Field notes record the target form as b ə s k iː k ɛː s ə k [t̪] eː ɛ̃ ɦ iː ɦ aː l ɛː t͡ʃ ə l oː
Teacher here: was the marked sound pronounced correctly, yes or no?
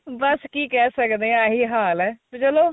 no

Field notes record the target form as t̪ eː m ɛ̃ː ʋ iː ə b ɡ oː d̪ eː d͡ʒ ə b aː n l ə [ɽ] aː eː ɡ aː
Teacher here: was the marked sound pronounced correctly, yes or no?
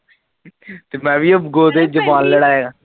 yes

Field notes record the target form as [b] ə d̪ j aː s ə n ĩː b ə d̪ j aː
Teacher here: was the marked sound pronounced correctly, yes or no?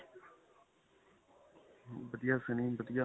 yes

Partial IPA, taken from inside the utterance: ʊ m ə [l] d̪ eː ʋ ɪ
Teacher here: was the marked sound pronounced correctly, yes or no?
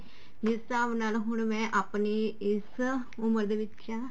no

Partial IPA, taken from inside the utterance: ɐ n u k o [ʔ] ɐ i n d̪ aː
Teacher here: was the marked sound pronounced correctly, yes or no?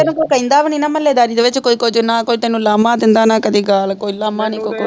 no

